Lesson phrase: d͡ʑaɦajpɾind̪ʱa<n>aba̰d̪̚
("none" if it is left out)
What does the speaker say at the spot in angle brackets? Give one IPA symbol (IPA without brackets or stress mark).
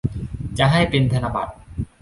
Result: n